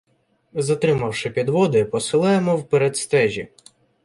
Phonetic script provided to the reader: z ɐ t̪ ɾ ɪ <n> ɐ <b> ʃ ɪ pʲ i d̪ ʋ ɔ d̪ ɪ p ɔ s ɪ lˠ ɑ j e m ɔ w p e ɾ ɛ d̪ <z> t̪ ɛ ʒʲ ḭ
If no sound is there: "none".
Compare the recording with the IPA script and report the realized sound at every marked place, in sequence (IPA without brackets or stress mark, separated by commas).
m, w, s